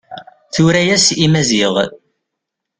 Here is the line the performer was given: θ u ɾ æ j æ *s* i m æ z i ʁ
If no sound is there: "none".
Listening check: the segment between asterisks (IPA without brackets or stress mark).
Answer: s